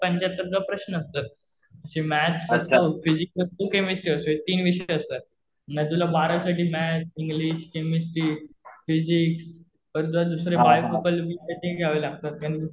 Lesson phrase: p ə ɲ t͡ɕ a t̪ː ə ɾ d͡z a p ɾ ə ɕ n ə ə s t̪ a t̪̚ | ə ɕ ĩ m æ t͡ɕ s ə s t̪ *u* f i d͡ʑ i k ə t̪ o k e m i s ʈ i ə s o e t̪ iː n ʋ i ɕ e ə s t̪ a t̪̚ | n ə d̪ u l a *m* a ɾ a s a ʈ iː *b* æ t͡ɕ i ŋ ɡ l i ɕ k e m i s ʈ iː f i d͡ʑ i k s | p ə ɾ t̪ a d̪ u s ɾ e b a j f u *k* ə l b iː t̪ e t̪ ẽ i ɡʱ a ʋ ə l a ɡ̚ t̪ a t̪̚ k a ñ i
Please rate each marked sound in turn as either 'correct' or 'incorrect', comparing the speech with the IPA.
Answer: incorrect, incorrect, incorrect, correct

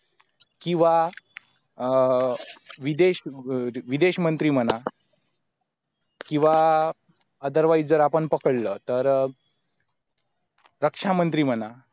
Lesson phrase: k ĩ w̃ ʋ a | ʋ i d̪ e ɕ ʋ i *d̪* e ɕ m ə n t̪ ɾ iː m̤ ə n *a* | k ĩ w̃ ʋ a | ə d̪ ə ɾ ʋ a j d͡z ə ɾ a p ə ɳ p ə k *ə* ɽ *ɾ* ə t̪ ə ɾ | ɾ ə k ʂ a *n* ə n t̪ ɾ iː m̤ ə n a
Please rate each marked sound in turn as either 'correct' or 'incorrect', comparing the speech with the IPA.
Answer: correct, correct, correct, incorrect, incorrect

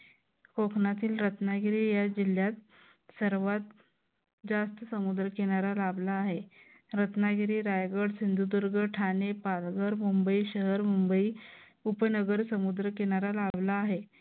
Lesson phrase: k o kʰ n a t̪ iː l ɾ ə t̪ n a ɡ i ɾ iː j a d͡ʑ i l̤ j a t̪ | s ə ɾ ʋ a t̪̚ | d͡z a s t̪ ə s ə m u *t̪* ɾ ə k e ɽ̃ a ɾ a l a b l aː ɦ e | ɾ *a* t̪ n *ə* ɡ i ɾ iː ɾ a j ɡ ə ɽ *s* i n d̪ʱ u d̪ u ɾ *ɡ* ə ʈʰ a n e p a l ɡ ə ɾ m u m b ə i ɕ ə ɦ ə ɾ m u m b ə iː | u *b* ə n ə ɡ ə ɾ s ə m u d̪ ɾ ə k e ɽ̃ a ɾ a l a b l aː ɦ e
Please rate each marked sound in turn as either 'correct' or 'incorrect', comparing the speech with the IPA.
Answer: incorrect, incorrect, incorrect, correct, correct, incorrect

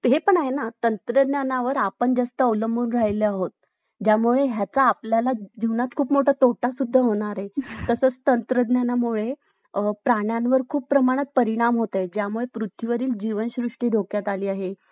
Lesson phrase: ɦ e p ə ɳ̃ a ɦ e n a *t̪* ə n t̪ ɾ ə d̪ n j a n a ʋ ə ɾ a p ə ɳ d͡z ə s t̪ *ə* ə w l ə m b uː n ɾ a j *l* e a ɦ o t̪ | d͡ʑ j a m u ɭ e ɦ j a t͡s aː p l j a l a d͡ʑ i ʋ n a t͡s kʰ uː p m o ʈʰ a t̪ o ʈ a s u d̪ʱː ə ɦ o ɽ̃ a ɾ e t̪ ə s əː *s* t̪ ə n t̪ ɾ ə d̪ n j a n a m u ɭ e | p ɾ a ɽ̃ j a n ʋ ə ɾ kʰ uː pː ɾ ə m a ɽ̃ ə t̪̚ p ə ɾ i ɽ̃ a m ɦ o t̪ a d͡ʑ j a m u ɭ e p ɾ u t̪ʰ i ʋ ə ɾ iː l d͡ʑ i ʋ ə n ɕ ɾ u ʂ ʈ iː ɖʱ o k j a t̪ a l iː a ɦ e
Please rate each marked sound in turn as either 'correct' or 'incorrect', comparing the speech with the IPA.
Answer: correct, correct, correct, incorrect

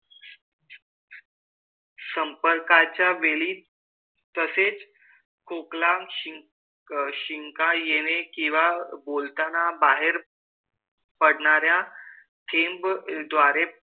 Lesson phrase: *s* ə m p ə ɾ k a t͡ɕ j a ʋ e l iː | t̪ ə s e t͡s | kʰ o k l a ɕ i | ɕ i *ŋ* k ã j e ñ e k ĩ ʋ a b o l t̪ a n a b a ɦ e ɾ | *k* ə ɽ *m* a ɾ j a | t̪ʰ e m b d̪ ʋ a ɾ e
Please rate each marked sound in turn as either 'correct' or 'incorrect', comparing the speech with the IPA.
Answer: correct, correct, incorrect, incorrect

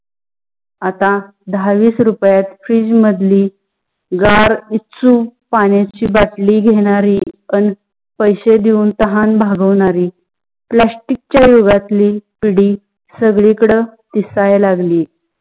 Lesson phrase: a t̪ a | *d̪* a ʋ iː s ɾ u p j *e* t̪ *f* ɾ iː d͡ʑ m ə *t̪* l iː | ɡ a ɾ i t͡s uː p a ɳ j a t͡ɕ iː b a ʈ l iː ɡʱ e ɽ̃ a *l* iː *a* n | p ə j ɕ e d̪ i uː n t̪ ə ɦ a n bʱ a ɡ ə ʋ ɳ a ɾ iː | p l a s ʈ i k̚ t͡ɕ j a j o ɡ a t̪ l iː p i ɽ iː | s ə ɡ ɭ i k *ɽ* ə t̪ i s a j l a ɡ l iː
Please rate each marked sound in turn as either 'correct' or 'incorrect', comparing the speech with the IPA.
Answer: correct, incorrect, correct, incorrect, incorrect, incorrect, correct

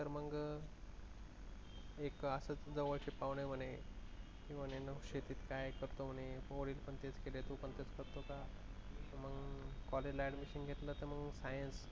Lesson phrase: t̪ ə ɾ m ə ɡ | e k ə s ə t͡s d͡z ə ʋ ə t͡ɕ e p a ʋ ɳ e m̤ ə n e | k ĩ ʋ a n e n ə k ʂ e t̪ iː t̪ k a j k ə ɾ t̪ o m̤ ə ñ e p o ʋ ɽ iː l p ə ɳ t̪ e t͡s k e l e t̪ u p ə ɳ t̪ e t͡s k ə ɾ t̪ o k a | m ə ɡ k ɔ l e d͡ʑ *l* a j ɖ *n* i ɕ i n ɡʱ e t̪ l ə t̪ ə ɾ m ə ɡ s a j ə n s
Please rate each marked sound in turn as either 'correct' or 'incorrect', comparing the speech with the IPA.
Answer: correct, incorrect

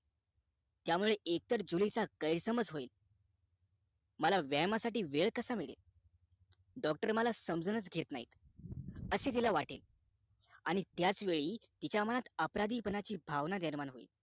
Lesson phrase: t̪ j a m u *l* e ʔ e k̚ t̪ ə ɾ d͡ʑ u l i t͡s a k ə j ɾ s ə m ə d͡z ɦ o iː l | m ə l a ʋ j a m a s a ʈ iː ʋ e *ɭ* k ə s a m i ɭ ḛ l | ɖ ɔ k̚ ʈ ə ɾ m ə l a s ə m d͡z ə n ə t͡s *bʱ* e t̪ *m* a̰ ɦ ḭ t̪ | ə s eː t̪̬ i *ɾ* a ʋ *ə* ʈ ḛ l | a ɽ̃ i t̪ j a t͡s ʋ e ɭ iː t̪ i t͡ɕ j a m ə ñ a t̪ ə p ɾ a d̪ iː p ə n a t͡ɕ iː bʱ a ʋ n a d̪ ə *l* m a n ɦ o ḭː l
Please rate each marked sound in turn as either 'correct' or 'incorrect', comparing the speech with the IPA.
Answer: incorrect, correct, incorrect, incorrect, incorrect, incorrect, incorrect

